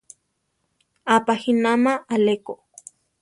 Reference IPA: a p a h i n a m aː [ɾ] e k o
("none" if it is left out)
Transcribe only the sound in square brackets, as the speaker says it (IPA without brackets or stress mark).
l